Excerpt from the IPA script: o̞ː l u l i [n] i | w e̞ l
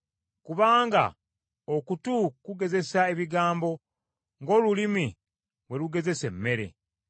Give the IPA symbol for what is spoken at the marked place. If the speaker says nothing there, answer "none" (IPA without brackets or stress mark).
m